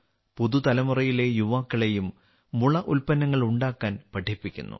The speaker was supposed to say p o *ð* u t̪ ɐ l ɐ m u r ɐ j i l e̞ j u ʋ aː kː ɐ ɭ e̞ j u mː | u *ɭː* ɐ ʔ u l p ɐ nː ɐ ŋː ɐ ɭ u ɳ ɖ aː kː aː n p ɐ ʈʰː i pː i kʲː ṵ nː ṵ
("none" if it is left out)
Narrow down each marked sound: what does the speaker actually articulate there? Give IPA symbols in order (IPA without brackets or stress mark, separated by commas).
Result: ð, ɭ